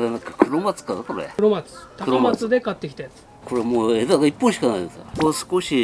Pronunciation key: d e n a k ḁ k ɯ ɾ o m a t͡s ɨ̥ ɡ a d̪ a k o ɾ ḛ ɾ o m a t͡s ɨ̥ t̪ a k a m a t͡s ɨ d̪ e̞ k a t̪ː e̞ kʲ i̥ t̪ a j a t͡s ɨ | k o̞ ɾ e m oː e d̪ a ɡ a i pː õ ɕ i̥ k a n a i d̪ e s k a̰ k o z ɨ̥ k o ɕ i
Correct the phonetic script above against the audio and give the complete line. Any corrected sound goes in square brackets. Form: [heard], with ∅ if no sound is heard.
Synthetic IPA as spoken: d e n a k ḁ k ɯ ɾ o m a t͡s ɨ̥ [k] a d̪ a k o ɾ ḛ ɾ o m a t͡s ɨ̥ t̪ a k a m a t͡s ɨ d̪ e̞ k a t̪ː e̞ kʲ i̥ t̪ a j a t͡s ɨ | k o̞ ɾ e m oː e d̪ a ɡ a i pː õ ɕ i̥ k a n a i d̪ e s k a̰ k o [s] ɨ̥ k o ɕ i